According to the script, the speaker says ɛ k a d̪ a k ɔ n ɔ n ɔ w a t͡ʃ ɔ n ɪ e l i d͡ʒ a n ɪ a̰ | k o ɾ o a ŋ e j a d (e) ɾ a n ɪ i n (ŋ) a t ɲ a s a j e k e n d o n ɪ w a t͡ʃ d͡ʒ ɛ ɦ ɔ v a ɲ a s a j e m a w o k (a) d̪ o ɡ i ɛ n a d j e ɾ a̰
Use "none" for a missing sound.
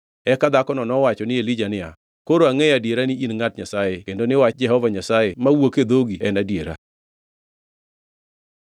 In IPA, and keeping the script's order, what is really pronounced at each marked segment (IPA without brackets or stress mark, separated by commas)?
e, ŋ, e